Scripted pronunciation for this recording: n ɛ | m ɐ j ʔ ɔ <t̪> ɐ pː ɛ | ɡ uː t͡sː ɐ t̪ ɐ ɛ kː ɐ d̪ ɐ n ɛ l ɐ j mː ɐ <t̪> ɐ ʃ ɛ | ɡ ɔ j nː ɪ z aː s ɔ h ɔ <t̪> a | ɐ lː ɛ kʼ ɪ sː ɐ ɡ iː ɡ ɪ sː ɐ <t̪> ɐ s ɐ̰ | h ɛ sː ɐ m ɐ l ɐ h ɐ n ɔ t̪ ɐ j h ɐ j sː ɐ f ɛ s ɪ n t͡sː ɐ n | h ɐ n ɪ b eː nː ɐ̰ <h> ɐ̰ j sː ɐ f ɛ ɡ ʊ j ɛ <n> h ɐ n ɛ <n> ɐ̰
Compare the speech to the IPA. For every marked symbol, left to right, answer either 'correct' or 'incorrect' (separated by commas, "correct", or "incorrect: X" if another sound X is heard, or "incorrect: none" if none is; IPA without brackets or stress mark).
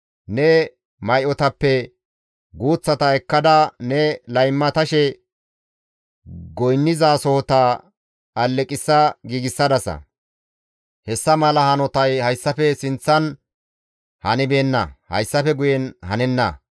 correct, correct, correct, incorrect: d̪, correct, correct, incorrect: nː